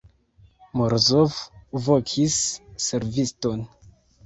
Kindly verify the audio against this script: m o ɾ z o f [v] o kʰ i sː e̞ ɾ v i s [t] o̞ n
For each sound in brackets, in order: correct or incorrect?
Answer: correct, correct

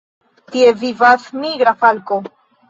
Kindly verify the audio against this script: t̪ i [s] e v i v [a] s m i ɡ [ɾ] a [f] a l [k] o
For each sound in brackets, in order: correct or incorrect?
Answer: incorrect: none, correct, correct, correct, correct

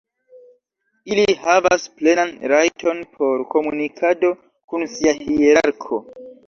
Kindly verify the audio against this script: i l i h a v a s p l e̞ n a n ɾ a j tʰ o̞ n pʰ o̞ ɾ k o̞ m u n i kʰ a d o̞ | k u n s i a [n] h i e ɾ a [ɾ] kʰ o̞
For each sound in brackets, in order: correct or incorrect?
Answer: incorrect: none, correct

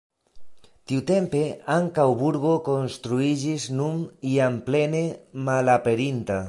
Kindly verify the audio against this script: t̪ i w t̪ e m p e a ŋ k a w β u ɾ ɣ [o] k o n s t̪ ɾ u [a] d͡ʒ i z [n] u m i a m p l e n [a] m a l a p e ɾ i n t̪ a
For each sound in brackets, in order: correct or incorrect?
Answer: correct, incorrect: i, correct, incorrect: e

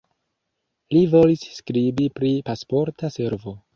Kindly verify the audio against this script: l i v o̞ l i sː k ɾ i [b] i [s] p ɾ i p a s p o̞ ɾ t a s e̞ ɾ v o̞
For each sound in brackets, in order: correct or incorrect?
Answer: correct, incorrect: none

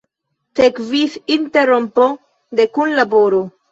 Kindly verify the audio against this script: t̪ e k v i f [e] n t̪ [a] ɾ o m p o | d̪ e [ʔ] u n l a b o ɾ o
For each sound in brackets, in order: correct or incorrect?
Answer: incorrect: i, incorrect: e, incorrect: k

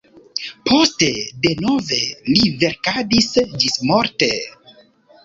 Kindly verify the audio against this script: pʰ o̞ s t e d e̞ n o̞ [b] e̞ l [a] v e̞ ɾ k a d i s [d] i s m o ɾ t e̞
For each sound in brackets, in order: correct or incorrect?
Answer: incorrect: v, incorrect: i, incorrect: d͡ʒ

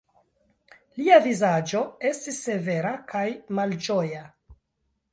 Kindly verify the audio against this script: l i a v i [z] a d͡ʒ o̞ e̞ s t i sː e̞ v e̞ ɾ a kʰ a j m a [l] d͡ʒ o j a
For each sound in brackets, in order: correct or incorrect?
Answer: correct, correct

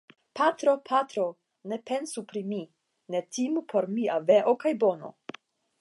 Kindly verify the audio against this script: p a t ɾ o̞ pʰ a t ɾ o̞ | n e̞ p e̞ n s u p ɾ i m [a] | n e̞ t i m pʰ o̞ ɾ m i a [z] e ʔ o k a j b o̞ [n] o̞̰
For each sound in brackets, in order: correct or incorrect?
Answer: incorrect: i, incorrect: v, correct

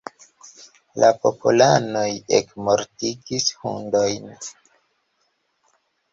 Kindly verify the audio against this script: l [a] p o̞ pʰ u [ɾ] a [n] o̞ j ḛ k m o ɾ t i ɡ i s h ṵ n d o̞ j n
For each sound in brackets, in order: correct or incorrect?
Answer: correct, incorrect: l, correct

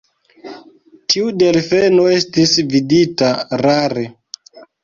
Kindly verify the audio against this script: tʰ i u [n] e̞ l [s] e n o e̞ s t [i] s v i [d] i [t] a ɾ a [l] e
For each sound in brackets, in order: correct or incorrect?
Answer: incorrect: d, incorrect: f, correct, correct, correct, incorrect: ɾ

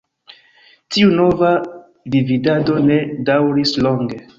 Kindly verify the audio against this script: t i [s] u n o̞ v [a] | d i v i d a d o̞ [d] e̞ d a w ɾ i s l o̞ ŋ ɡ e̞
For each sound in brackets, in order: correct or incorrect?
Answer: incorrect: none, correct, incorrect: n

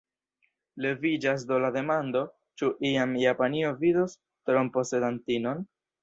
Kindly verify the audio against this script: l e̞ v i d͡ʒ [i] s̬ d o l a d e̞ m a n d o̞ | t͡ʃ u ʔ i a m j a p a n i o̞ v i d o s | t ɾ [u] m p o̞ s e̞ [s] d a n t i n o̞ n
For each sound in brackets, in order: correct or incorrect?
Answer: incorrect: a, incorrect: o, incorrect: none

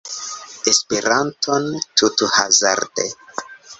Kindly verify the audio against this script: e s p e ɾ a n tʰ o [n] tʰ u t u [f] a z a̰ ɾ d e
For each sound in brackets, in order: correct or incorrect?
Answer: correct, incorrect: h

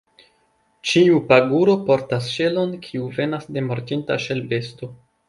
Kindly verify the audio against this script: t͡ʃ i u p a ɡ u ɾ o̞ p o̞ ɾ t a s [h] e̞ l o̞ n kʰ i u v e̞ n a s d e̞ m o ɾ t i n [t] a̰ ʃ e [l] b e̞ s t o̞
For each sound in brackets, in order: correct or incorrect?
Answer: incorrect: ʃ, correct, correct

